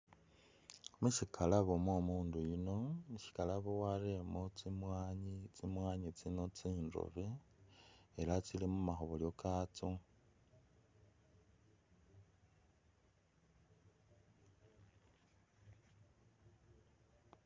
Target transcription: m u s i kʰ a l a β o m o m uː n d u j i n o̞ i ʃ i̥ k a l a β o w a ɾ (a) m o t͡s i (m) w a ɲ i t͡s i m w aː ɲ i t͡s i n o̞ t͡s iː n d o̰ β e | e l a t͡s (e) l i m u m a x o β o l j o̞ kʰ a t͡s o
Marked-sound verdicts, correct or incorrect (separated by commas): incorrect, correct, incorrect